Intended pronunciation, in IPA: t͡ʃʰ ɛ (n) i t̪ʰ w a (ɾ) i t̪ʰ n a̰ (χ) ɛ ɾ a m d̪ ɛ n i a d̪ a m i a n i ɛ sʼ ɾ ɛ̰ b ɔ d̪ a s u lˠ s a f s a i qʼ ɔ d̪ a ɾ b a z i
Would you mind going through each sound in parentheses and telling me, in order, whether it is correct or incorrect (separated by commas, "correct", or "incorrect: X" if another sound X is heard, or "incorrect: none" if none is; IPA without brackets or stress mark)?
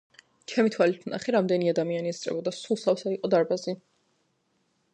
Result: incorrect: m, incorrect: l, correct